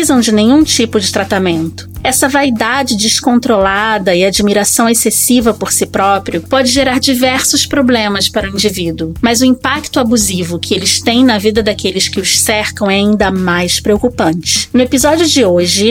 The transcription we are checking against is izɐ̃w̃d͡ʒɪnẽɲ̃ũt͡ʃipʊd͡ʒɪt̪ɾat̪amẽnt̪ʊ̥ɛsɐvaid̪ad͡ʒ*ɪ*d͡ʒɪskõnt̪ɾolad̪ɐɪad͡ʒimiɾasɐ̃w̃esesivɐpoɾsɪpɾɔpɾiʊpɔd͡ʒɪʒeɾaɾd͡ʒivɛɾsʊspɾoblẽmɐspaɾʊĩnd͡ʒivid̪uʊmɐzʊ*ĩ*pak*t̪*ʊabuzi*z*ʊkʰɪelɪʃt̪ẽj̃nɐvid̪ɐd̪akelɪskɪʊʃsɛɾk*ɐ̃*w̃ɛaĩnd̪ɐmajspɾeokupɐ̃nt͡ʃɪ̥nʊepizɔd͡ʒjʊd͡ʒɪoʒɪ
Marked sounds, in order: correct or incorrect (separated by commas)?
correct, correct, correct, incorrect, correct